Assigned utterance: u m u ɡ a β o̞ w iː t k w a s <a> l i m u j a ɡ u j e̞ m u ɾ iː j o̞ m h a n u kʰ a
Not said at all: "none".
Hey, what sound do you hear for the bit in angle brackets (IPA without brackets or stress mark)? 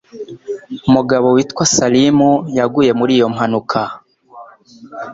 a